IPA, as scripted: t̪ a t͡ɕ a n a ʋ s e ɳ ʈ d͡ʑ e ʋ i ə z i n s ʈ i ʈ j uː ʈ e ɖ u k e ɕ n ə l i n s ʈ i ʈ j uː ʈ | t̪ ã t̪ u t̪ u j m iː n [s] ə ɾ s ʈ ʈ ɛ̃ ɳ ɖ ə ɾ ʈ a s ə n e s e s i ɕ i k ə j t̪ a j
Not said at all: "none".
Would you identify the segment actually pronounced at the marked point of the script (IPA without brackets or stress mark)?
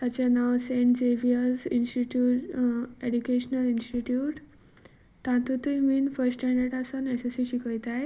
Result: f